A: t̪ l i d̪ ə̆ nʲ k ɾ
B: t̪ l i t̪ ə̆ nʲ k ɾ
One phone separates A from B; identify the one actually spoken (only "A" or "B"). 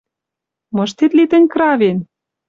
B